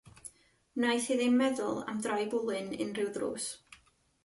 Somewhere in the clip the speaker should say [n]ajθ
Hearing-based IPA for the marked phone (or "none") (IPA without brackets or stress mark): n